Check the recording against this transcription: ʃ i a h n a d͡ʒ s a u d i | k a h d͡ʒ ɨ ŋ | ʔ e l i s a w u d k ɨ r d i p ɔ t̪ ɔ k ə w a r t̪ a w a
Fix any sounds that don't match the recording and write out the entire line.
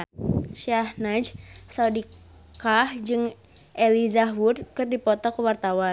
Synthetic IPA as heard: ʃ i a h n a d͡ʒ s a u d i | k a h d͡ʒ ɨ ŋ | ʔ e l i z a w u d k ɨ r d i p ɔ t̪ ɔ k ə w a r t̪ a w a